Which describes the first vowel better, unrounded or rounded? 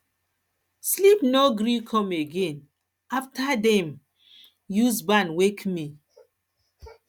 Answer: unrounded